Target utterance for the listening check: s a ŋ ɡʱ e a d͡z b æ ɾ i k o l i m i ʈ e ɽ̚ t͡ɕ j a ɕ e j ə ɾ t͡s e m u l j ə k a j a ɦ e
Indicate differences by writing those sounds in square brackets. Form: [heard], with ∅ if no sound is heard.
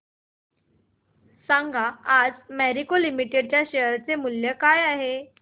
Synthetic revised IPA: s a ŋ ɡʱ [a] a d͡z [m] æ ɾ i k o l i m i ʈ e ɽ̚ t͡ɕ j a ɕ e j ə ɾ t͡s e m u l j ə k a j a ɦ e

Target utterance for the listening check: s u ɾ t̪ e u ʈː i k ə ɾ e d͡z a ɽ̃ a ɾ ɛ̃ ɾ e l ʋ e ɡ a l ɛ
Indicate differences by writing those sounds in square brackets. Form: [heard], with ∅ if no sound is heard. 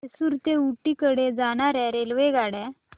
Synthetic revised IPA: s u ɾ t̪ e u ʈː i k ə [ɽ] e d͡z a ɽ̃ a ɾ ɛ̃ ɾ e l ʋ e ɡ a [ɽ] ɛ

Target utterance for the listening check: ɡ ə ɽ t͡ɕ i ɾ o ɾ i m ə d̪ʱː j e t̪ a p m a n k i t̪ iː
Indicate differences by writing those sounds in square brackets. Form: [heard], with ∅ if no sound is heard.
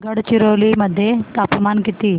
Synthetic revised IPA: ɡ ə ɽ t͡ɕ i ɾ o [l] i m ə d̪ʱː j e t̪ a p m a n k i t̪ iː

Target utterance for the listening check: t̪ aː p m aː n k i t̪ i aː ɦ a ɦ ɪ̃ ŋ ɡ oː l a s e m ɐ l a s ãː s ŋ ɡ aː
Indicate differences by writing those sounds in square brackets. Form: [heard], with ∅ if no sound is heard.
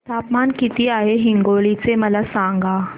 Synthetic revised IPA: t̪ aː p m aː n k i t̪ i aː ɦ [e] ɦ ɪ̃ ŋ ɡ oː l [i] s e m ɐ l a s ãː [∅] ŋ ɡ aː

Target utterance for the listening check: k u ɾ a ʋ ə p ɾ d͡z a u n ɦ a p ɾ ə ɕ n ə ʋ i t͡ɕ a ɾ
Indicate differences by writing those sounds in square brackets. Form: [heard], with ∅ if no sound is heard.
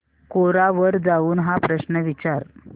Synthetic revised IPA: k [o] ɾ a ʋ ə [∅] ɾ d͡z a [uː] n ɦ a p ɾ ə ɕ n ə ʋ i t͡ɕ a ɾ

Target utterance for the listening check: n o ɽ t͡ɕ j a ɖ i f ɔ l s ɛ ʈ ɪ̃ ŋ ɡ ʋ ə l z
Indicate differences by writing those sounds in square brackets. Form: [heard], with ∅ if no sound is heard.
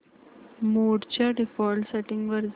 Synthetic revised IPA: [m] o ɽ t͡ɕ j a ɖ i f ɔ l s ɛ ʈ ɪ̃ ŋ ɡ ʋ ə [ɾ] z

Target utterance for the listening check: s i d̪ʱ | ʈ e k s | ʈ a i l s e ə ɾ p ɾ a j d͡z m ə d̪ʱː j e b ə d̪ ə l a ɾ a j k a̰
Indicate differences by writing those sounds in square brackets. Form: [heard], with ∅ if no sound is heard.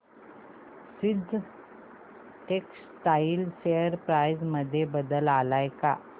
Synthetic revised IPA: s i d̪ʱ | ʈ e k s | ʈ a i l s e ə ɾ p ɾ a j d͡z m ə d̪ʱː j e b ə d̪ ə l a [l] a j k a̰

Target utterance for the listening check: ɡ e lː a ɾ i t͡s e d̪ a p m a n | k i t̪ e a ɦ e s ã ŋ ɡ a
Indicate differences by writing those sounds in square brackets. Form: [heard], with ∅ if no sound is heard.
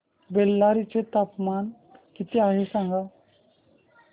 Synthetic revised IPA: [b] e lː a ɾ i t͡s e [t̪] a p m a n | k i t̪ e a ɦ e s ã ŋ ɡ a

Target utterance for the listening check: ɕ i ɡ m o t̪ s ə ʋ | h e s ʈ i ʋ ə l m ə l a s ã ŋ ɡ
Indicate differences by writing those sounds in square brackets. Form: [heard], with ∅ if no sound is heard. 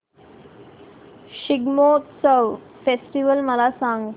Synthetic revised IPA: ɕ i ɡ m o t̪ s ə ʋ | [f] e s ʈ i ʋ ə l m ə l a s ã ŋ ɡ

